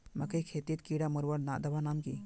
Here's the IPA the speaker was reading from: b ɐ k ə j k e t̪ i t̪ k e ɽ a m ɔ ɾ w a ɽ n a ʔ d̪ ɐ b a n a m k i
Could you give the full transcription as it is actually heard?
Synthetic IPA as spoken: m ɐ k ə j kʰ e t̪ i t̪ k i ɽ a m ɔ ɾ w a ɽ n a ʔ d̪ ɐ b a n a m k i